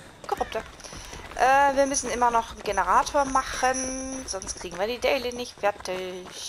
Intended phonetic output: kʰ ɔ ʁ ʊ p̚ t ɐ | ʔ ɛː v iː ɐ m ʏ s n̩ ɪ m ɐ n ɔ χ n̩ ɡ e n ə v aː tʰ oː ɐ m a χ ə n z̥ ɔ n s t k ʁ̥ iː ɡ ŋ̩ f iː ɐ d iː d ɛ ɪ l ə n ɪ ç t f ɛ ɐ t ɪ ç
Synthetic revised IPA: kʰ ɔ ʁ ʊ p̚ t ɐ | ʔ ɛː v iː ɐ m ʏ s n̩ ɪ m ɐ n ɔ χ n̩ ɡ e n ə ʁ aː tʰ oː ɐ m a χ ə n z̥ ɔ n s t k ʁ̥ iː ɡ ŋ̩ v iː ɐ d iː d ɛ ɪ l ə n ɪ ç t f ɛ ɐ t ɪ ç